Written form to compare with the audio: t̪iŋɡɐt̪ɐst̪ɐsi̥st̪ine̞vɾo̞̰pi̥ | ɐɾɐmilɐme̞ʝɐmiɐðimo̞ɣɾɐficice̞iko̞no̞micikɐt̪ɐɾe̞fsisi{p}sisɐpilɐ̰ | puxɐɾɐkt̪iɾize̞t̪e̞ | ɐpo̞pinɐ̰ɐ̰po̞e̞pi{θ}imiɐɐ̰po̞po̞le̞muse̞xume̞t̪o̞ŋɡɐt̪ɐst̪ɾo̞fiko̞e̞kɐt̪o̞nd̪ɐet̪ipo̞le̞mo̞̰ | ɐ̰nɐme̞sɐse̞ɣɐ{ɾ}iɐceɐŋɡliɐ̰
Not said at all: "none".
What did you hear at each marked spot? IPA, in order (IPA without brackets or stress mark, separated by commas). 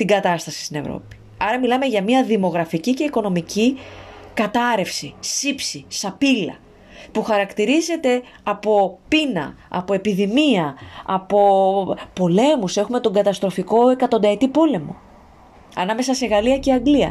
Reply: p, ð, l